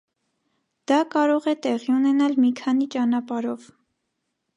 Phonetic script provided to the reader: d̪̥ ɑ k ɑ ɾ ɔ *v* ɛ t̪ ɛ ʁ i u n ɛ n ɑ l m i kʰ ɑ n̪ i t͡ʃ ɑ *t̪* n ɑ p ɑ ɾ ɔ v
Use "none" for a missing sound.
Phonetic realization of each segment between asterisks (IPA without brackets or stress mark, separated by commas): ʁ, none